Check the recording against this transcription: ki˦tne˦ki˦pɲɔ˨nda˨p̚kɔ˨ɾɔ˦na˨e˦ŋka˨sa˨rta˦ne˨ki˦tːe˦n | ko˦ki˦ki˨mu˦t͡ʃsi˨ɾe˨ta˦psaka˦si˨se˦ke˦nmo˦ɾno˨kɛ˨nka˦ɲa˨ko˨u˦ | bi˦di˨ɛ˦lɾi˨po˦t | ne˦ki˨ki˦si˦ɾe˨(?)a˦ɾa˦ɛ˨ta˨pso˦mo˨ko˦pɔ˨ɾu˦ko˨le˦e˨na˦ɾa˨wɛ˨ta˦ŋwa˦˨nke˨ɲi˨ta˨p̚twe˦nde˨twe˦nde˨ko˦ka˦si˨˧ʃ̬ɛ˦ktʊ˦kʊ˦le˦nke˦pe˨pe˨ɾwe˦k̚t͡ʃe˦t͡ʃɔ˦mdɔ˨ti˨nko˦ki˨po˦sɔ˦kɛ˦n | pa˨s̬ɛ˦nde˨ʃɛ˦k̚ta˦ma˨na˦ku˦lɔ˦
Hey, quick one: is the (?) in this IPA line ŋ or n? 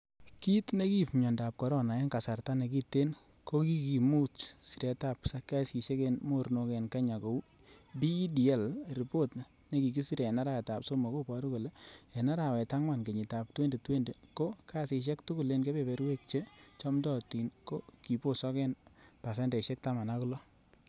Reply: n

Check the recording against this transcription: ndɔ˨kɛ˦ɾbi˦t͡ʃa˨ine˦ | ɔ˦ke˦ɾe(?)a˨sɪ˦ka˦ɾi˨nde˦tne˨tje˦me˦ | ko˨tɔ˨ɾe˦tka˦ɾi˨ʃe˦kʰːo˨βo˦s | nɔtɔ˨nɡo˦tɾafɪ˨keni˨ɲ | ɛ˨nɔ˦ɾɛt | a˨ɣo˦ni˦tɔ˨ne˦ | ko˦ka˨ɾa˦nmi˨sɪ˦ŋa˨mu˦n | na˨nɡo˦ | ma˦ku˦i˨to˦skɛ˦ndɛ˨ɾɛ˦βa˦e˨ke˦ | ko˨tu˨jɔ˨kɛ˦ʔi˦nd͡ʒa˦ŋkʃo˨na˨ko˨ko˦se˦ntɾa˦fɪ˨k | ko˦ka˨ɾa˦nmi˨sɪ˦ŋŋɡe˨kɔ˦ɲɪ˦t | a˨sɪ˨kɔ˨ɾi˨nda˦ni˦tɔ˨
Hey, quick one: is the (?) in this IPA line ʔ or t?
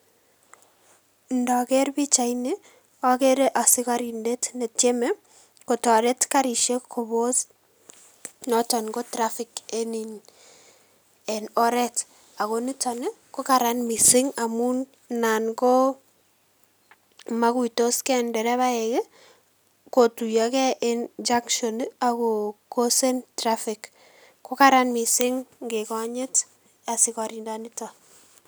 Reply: ʔ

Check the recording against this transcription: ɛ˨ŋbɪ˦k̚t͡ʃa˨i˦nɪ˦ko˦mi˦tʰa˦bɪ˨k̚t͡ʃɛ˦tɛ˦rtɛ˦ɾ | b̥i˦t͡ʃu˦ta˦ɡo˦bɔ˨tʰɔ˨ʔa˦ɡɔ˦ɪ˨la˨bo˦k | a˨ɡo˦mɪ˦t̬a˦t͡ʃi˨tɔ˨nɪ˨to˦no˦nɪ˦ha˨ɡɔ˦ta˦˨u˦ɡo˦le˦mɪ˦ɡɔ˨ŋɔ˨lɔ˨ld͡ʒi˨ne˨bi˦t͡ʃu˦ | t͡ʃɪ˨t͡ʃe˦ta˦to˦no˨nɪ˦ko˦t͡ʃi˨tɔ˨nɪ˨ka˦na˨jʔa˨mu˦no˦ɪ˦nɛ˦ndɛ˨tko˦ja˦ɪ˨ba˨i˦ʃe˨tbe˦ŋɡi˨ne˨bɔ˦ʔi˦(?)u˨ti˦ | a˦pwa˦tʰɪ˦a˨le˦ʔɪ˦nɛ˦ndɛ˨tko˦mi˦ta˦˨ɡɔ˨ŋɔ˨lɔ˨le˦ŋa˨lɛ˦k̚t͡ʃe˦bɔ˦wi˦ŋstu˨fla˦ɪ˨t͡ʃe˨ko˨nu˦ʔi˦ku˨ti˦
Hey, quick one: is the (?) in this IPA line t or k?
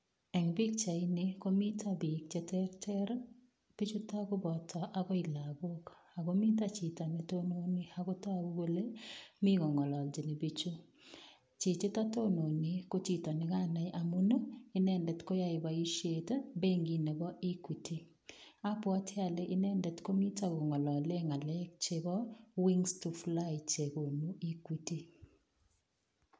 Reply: k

